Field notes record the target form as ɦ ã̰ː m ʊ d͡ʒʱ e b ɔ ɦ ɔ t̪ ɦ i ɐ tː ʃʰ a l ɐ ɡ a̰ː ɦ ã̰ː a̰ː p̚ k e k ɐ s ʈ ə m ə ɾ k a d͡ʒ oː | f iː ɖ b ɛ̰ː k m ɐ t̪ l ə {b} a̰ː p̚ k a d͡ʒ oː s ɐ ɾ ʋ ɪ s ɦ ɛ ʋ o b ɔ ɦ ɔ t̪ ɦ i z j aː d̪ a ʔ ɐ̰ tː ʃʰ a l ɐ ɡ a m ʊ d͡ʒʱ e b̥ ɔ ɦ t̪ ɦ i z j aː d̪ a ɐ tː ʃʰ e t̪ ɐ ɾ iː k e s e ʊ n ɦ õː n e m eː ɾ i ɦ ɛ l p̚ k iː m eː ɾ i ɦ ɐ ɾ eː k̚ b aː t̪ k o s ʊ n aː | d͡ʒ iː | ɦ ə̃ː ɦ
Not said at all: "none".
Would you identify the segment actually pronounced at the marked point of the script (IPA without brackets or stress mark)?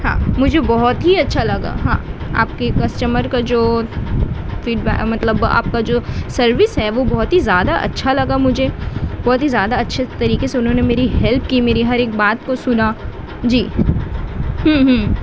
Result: b